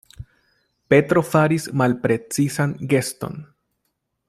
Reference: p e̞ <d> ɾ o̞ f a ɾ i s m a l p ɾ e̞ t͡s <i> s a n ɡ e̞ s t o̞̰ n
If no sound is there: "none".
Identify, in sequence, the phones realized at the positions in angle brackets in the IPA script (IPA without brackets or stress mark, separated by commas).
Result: t, i